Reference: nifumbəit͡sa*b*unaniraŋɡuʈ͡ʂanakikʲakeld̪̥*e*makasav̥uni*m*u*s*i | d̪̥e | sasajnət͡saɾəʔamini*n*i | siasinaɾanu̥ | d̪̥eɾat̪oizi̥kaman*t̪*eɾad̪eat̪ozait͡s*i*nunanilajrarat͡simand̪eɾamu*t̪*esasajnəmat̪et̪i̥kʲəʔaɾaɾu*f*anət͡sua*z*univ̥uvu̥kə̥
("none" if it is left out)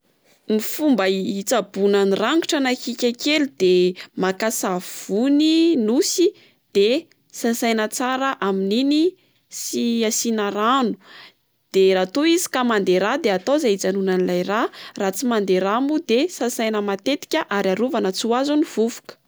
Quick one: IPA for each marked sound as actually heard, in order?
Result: b, e, n, s, n, d̪, a, d̪, v, z

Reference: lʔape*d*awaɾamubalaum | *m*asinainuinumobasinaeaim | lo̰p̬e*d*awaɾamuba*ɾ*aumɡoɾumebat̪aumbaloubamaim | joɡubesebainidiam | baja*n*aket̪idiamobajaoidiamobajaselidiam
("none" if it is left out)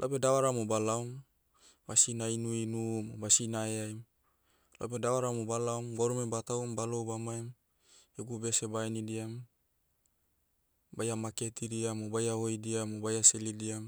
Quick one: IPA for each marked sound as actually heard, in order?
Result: d, b, d, l, m

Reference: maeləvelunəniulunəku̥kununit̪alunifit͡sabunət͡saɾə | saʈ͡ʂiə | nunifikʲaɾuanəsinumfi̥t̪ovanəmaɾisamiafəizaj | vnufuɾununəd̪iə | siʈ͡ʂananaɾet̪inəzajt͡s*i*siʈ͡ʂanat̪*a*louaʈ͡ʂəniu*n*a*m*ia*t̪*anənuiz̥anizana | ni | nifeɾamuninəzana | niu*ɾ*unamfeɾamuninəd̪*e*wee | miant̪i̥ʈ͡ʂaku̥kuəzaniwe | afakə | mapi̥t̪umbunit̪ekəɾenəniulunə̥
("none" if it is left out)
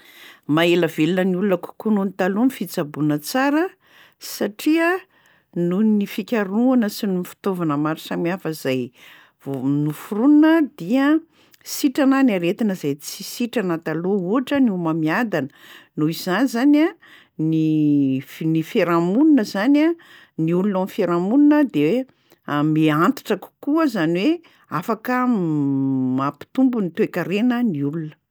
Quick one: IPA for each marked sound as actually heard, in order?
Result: i, a, m, m, d̪, l, e

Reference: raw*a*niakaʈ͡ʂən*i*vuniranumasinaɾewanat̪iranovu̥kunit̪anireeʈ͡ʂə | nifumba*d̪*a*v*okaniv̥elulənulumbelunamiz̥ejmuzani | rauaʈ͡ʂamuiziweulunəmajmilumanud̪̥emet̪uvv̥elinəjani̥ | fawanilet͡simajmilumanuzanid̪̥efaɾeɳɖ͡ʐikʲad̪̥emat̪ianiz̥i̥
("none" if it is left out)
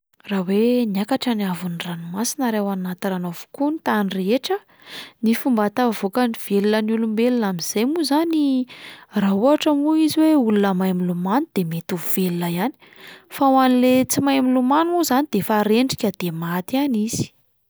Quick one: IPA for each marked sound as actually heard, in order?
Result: e, a, t̪, v

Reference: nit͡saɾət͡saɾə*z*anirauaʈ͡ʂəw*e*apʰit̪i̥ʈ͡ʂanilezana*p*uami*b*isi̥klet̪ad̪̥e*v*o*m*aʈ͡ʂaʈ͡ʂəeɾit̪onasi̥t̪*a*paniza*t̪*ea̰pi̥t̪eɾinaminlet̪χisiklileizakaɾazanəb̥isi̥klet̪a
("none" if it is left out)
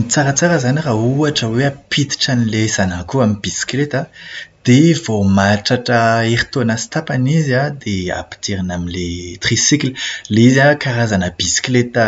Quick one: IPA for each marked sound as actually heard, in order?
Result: z, e, k, b, v, m, a, d̪

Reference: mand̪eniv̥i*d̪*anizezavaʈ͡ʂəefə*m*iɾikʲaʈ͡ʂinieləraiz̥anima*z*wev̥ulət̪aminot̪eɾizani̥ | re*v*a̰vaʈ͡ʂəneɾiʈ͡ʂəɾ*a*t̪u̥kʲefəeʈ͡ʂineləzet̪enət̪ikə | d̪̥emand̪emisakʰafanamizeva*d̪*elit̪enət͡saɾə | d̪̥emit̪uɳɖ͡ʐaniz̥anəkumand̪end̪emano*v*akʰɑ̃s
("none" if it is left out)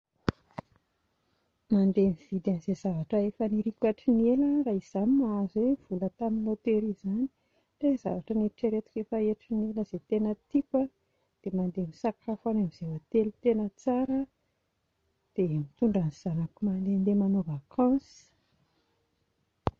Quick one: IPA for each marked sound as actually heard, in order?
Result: d̪, n, z, z, e, t̪, v

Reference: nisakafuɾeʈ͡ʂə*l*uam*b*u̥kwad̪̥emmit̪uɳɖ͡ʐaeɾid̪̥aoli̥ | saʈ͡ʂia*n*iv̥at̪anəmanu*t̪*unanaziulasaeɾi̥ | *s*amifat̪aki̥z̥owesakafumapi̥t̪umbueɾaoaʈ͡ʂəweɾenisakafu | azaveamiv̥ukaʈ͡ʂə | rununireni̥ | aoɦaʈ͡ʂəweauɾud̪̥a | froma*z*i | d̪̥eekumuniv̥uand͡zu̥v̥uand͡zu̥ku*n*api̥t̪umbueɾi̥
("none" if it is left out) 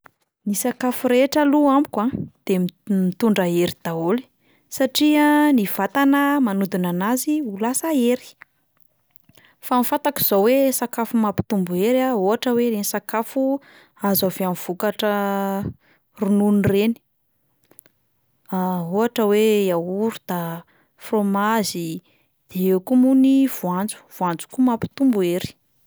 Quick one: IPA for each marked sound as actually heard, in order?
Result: l, b, n, d̪, f, z, m

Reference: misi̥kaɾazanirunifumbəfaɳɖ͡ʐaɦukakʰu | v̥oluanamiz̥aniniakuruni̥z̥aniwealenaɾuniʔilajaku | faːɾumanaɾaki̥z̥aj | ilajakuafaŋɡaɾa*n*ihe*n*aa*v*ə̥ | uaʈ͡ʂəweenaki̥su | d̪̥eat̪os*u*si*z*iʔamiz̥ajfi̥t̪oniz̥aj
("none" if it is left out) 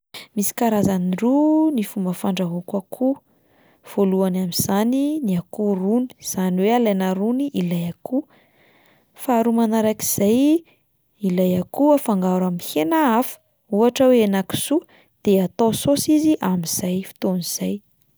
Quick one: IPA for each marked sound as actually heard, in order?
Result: m, n, f, o, z

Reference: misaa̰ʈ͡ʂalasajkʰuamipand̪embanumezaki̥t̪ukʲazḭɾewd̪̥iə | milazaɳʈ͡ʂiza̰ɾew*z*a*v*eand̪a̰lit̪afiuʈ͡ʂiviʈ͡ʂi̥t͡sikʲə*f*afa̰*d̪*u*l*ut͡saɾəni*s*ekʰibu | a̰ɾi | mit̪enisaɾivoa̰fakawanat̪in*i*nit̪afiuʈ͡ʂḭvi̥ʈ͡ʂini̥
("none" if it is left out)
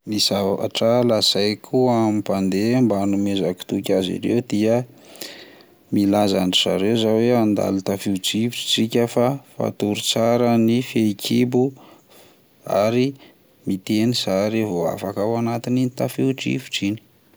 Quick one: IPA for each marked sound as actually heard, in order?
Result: z, w, f, t̪, ɾ, f, i

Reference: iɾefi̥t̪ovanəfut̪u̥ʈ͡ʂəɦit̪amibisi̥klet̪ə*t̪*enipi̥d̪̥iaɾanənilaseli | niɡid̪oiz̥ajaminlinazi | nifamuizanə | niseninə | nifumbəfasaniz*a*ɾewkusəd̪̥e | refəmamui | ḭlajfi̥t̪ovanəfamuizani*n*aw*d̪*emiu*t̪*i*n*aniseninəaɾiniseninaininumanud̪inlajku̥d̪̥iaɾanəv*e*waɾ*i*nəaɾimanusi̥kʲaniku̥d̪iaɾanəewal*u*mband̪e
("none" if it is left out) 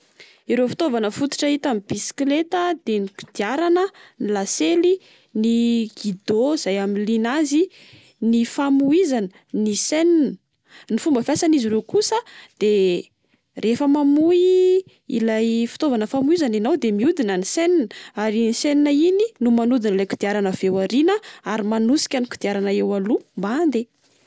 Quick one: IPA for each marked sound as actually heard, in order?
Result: d̪, i, n, d̪, d̪, n, e, i, u

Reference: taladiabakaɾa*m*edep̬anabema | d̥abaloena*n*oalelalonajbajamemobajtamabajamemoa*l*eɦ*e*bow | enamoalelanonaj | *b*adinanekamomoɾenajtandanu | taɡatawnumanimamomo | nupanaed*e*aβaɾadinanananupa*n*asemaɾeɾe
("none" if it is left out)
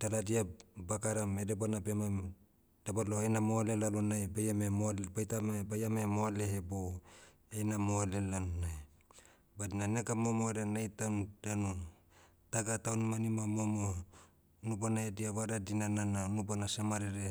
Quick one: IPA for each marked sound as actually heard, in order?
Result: m, m, l, e, b, i, n

